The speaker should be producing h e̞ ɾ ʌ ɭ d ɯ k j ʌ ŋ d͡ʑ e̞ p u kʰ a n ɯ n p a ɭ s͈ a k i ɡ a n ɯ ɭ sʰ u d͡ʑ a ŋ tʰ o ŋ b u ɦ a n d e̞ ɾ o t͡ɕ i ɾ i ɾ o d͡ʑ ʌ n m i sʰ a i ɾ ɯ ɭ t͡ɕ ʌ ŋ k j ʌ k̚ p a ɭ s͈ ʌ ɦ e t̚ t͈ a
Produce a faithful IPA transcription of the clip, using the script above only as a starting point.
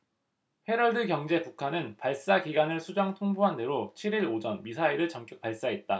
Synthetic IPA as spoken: h e̞ ɾ ʌ ɭ d ɯ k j ʌ ŋ d͡ʑ e̞ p u kʰ a n ɯ n p a ɭ s͈ a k i ɡ a n ɯ ɭ sʰ u d͡ʑ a ŋ tʰ o ŋ b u ɦ a n d e̞ ɾ o t͡ɕʰ i ɾ i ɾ o d͡ʑ ʌ n m i sʰ a i ɾ ɯ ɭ t͡ɕ ʌ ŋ k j ʌ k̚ p a ɭ s͈ a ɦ e t̚ t͈ a